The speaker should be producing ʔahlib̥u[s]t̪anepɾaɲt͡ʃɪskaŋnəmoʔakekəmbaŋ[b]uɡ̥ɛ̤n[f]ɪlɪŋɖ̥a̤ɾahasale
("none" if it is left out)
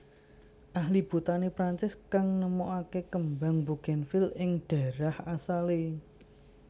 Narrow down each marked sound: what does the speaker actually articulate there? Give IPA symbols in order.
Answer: none, b, f

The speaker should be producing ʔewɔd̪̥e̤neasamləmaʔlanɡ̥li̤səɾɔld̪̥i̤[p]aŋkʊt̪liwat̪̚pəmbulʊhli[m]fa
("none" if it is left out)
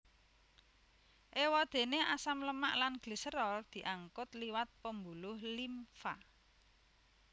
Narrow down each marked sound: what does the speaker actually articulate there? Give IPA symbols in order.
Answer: ʔ, m

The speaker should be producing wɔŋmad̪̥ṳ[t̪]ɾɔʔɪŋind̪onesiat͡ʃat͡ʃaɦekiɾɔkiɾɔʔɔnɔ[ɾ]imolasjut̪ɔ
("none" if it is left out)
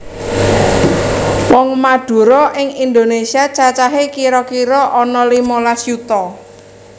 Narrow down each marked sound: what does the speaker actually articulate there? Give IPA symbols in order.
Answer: none, l

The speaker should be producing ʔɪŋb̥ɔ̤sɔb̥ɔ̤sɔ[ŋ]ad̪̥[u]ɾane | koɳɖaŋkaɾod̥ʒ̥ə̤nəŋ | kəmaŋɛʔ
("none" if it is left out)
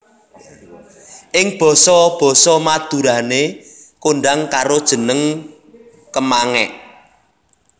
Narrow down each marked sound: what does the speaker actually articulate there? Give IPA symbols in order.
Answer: m, u

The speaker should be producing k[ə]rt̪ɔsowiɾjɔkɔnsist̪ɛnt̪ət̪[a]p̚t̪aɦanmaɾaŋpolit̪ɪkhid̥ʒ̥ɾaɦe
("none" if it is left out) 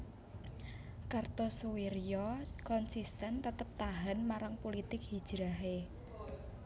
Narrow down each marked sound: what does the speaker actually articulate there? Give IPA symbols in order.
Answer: a, ə

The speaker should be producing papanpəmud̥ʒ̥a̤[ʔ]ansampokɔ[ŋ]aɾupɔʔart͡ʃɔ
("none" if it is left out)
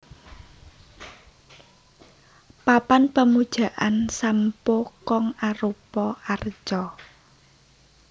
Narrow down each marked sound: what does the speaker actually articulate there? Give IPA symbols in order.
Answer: ʔ, ŋ

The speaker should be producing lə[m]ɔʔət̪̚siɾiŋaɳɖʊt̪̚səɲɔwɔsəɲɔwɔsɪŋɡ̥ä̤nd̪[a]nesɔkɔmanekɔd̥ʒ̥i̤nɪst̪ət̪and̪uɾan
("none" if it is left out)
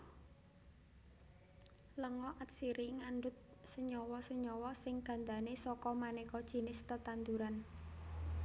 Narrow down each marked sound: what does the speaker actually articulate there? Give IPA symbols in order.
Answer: ŋ, a

